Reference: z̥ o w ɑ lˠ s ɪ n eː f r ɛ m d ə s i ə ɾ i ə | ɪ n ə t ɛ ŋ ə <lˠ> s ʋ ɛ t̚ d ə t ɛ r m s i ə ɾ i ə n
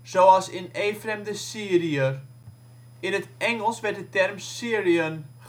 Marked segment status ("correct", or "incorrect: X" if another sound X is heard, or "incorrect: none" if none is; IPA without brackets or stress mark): correct